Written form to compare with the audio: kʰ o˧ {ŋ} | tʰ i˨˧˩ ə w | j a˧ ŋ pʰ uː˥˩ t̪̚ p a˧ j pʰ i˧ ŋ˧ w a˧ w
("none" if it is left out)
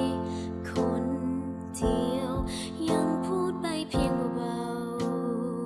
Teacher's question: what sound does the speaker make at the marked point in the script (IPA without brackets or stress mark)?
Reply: n